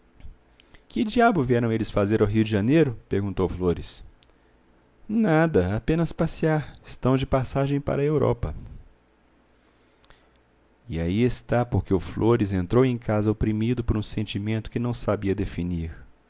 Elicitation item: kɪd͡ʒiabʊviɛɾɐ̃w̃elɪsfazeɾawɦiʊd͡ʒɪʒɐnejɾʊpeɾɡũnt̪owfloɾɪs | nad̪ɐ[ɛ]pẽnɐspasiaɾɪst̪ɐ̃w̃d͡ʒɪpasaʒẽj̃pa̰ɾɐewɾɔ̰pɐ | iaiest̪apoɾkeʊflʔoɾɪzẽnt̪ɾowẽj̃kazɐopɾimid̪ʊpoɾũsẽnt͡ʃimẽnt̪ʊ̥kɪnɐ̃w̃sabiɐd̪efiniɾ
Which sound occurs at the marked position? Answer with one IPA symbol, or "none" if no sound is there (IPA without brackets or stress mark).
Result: a